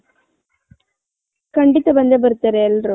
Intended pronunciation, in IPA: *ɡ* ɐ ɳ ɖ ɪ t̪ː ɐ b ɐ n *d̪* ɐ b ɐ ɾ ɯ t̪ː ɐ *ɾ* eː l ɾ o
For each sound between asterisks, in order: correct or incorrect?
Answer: incorrect: k, correct, correct

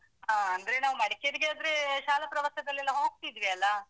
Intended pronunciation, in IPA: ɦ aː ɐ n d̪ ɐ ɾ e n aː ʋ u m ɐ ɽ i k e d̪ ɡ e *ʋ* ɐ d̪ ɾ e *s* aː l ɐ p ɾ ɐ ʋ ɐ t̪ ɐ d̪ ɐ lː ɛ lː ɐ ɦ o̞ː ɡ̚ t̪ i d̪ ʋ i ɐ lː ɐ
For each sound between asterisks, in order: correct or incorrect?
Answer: incorrect: none, incorrect: ʃ

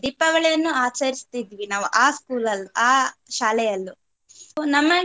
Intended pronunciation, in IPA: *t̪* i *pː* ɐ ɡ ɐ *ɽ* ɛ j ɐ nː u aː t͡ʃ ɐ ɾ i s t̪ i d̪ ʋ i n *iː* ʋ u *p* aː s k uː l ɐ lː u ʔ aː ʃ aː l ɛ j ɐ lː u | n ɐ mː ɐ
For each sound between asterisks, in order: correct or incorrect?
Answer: incorrect: d̪, correct, incorrect: ɭ, incorrect: aː, incorrect: ʔ

